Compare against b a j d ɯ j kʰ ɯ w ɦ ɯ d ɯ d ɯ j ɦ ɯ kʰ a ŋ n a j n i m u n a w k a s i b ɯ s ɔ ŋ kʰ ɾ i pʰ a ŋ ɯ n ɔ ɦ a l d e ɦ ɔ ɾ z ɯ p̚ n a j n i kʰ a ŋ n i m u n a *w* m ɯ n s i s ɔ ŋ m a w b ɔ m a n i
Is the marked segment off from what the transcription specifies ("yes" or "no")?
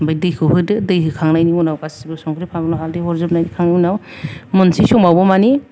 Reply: no